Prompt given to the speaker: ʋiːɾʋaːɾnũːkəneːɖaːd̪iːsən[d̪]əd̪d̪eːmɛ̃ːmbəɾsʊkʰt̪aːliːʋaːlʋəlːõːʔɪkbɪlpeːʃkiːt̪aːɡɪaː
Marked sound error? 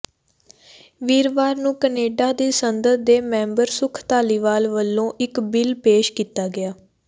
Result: no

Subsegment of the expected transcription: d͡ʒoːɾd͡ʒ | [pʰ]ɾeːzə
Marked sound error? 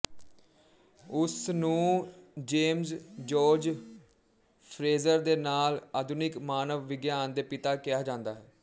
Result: no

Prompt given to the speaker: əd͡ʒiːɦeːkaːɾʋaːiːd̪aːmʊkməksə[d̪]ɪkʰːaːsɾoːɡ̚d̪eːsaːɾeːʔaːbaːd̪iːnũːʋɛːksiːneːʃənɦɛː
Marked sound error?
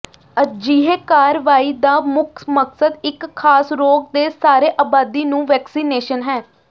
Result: no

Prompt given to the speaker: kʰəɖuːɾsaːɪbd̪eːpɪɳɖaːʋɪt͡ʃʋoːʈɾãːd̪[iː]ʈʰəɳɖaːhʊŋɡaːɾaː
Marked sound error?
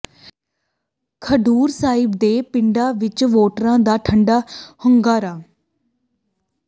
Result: yes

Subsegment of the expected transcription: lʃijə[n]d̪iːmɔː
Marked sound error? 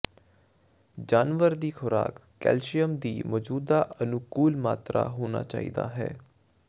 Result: yes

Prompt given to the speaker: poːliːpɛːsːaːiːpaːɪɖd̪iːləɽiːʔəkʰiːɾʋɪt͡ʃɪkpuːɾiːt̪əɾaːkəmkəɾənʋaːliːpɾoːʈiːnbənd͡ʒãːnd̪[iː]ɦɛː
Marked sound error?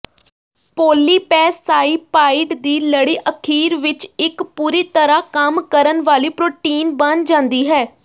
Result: no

